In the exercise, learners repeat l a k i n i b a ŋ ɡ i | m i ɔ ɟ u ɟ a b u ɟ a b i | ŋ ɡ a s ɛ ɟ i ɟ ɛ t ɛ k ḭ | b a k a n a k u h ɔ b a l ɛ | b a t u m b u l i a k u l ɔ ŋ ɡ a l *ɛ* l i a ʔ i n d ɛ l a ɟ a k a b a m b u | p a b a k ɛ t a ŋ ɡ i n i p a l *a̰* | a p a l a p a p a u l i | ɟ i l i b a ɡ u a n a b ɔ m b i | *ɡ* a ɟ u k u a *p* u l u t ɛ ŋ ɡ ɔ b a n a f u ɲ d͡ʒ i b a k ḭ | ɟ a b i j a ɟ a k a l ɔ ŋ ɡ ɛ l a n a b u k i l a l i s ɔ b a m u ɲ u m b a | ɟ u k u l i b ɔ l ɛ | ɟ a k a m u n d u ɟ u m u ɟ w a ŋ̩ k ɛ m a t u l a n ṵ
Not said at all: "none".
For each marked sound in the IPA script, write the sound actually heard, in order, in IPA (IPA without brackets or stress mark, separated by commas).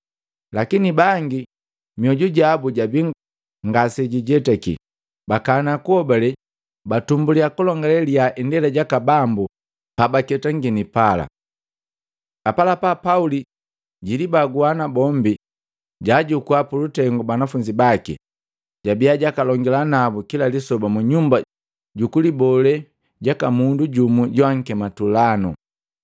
ɛ, a̰, ɟ, p